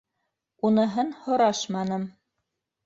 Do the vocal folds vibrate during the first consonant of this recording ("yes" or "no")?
yes